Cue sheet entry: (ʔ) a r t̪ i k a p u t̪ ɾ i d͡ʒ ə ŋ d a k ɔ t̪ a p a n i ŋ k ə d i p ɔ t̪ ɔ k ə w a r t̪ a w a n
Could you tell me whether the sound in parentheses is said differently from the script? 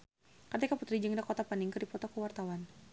yes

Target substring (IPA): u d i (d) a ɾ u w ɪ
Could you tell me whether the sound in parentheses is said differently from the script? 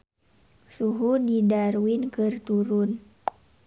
no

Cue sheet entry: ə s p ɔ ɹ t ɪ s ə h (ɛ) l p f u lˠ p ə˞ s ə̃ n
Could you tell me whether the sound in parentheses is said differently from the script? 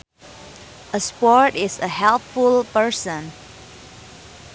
no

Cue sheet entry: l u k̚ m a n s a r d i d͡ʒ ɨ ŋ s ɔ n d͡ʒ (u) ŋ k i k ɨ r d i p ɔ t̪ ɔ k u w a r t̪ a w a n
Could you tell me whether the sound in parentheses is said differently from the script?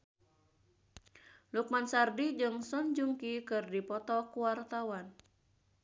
no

